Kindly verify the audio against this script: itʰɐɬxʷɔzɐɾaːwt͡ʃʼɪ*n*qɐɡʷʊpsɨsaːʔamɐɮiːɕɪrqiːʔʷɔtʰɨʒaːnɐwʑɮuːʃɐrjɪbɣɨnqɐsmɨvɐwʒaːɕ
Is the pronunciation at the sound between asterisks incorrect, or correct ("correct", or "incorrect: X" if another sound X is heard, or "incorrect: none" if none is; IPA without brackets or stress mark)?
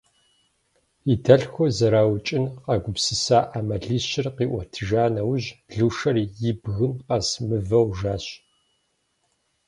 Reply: correct